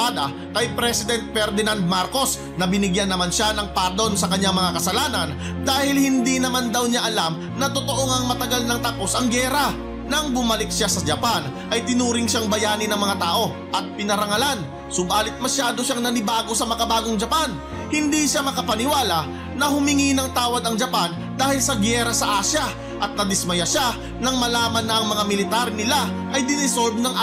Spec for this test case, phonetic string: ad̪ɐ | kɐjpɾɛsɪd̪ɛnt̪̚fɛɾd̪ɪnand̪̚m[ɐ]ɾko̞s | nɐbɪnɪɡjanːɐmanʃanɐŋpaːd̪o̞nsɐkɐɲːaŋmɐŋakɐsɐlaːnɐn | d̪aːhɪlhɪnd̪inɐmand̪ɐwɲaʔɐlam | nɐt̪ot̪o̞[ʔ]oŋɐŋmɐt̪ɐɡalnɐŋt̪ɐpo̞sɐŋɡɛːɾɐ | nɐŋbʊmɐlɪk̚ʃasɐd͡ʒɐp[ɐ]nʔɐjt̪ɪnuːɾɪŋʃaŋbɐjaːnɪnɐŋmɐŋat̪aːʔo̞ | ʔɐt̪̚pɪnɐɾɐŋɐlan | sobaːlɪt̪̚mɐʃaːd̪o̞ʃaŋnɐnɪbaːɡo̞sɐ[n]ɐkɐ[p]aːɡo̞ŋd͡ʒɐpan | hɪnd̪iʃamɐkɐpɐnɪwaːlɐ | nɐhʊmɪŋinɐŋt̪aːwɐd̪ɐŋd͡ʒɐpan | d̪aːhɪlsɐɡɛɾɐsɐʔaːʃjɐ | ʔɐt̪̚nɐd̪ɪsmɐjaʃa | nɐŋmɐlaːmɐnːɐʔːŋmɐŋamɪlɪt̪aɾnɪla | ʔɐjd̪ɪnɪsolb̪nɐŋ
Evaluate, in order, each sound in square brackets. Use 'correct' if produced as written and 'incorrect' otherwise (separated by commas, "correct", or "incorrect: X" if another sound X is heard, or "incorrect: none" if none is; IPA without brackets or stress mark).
incorrect: a, correct, incorrect: a, incorrect: m, incorrect: b